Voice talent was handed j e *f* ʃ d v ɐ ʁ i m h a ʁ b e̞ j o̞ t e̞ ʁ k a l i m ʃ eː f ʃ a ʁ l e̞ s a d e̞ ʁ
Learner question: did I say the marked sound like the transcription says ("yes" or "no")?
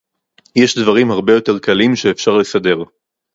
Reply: no